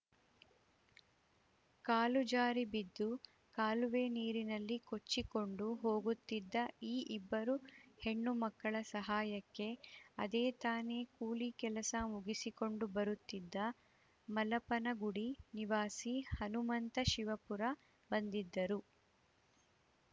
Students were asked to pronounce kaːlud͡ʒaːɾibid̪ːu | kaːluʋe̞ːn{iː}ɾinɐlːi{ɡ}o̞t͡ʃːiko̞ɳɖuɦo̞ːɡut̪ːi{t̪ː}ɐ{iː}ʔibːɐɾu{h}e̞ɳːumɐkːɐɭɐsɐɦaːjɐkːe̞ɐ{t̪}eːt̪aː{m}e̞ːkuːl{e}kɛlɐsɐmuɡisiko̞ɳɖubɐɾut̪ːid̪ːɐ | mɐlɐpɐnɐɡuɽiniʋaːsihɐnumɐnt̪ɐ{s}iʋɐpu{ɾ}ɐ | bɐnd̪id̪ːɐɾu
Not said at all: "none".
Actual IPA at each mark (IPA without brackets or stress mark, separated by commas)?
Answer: iː, k, d̪ː, iː, h, d̪, n, i, ʃ, ɾ